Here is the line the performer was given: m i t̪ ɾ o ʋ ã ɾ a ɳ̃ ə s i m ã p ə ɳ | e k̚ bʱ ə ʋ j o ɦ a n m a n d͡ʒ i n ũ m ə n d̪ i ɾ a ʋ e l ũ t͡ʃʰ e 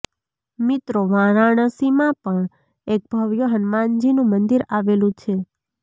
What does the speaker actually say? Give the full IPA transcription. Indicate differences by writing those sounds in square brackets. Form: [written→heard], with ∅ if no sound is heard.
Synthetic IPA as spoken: m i t̪ ɾ o ʋ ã ɾ a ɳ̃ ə s i m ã p ə ɳ | e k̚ bʱ ə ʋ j o ɦ [a→ə] n m a n d͡ʒ i n ũ m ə n d̪ i ɾ a ʋ e l ũ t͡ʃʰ e